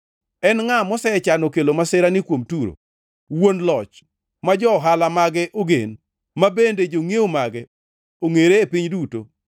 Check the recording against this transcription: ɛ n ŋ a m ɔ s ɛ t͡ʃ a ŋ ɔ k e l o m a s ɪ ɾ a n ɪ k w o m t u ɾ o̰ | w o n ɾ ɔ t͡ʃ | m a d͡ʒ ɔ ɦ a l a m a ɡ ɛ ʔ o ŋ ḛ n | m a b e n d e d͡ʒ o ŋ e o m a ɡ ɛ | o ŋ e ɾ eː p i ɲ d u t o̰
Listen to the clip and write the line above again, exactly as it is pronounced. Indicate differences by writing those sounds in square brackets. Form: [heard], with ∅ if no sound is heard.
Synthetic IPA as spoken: ɛ n ŋ a m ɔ s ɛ t͡ʃ a [n] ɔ k e l o m a s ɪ ɾ a n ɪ k w o m t u ɾ o̰ | w o n [l] ɔ t͡ʃ | m a d͡ʒ ɔ ɦ a l a m a ɡ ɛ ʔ o [ɡ] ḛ n | m a b e n d e d͡ʒ o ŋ e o m a ɡ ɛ | o ŋ e ɾ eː p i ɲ d u t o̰